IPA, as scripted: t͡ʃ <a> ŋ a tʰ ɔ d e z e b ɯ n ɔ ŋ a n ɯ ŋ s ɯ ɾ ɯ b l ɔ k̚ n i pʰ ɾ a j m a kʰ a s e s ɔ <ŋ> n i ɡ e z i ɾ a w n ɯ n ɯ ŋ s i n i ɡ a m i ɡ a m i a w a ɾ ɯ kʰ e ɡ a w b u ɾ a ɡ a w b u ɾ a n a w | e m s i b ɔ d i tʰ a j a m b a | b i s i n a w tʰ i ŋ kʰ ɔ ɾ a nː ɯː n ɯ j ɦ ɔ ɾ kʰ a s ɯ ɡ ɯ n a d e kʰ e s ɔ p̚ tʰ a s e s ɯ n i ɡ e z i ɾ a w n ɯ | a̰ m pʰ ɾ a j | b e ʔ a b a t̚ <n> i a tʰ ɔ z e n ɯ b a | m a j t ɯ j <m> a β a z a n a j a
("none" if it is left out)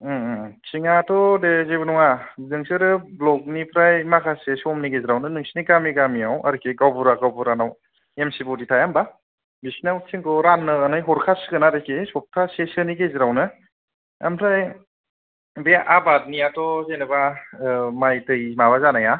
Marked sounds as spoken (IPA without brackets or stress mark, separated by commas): i, m, n, m